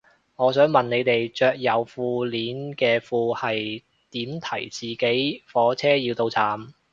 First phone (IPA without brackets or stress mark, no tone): ŋ